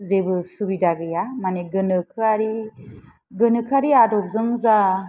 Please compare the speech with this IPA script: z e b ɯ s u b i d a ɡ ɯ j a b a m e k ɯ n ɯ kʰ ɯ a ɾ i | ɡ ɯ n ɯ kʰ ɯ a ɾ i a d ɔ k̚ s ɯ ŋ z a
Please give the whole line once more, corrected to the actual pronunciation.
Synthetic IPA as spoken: z e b ɯ s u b i d a ɡ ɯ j a m a n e ɡ ɯ n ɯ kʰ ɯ a ɾ i | ɡ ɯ n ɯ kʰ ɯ a ɾ i a d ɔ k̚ z ɯ ŋ z a